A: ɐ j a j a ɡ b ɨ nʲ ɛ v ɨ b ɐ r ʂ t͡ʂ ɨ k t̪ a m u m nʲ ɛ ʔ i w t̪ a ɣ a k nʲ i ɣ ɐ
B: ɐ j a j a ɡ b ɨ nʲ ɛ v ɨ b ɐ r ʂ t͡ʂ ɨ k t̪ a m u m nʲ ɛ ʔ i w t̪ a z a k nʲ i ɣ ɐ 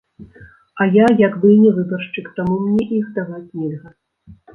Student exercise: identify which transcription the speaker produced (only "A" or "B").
A